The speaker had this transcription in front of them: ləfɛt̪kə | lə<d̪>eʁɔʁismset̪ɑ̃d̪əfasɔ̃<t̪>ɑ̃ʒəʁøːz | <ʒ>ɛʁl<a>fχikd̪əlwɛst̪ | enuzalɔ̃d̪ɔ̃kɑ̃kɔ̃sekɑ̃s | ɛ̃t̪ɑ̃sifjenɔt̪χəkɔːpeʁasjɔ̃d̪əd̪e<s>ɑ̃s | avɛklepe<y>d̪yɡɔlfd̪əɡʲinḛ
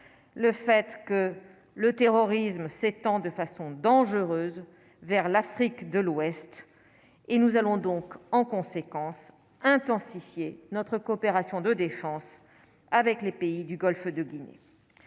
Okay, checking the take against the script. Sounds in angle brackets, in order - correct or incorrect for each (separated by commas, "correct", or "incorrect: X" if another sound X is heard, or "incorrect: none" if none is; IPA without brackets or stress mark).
incorrect: t̪, incorrect: d̪, incorrect: v, correct, incorrect: f, incorrect: i